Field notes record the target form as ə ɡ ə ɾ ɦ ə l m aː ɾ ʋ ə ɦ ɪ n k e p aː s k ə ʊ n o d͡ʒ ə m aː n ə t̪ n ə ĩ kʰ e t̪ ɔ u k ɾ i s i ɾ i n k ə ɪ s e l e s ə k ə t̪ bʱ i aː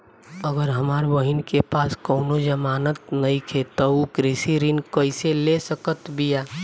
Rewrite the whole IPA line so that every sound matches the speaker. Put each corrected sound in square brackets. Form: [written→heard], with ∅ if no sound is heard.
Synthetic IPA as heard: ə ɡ ə ɾ ɦ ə [l→∅] m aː ɾ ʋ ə ɦ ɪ n k e p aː s k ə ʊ n o d͡ʒ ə m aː n ə t̪ n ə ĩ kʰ e t̪ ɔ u k ɾ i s i ɾ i n k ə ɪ s e l e s ə k ə t̪ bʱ i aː